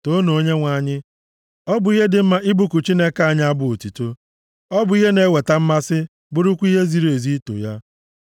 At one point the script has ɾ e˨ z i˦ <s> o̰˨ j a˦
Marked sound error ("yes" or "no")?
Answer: yes